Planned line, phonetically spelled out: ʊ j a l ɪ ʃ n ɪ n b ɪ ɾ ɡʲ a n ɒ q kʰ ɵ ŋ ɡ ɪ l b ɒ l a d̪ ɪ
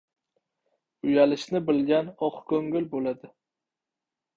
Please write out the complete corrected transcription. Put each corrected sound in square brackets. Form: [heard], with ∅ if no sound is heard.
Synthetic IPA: ʊ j a l ɪ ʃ n ɪ [∅] b ɪ [l] ɡʲ a n ɒ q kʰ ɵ ŋ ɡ ɪ l b [o] l a d̪ ɪ